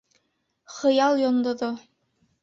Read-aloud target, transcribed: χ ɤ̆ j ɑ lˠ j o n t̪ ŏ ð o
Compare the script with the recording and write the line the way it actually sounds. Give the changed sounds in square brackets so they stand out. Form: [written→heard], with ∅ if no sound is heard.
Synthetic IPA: χ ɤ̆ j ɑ lˠ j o n [t̪→d̪] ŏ ð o